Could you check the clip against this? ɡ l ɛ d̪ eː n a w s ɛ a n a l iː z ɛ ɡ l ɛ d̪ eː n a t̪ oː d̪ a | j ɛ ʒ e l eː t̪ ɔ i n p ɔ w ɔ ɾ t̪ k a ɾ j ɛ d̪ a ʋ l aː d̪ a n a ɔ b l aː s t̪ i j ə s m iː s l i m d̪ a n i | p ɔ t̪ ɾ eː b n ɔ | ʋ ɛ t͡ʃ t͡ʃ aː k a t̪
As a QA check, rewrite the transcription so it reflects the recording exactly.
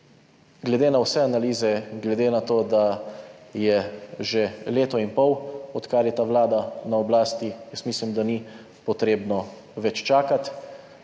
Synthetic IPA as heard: ɡ l ɛ d̪ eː n a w s ɛ a n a l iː z ɛ ɡ l ɛ d̪ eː n a t̪ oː d̪ a | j ɛ ʒ e l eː t̪ ɔ i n p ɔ w ɔ t̪ k a ɾ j ɛ t̪ a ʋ l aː d̪ a n a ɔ b l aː s t̪ i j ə s m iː s l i m d̪ a n i | p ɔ t̪ ɾ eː b n ɔ | ʋ ɛ t͡ʃ t͡ʃ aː k a t̪